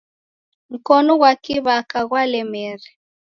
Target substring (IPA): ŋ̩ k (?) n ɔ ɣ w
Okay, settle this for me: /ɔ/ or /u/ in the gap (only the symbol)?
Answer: ɔ